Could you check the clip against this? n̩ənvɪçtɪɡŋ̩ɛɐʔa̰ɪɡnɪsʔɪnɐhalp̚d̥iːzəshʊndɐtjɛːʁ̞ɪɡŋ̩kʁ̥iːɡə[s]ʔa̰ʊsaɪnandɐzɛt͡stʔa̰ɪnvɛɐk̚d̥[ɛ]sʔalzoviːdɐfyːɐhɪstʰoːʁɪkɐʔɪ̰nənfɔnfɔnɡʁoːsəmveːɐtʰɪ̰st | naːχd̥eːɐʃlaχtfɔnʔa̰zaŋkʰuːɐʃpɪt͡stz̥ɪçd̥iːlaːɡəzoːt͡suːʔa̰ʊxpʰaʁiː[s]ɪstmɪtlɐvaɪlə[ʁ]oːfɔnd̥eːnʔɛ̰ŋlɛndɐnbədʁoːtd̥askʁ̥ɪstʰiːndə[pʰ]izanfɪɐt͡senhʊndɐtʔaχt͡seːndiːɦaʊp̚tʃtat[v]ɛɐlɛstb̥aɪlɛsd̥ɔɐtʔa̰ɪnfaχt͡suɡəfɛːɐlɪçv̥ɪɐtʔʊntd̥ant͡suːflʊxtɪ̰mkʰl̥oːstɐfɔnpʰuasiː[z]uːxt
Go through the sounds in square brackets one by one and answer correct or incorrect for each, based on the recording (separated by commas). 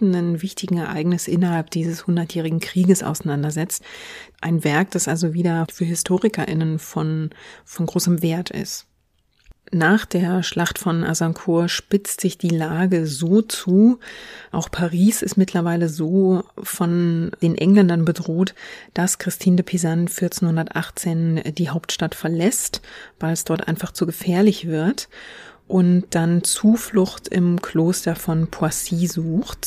correct, incorrect, correct, incorrect, correct, incorrect, correct